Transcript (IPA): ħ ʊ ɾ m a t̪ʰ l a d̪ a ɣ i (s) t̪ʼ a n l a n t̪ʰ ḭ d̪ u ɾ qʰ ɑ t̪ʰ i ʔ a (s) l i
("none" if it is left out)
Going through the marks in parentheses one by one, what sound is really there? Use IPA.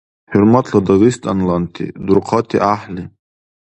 s, ħ

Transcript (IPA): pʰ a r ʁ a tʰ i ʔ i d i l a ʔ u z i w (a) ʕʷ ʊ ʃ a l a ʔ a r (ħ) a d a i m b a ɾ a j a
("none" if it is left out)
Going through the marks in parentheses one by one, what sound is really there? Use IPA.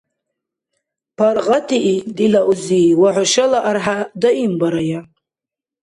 a, ħ

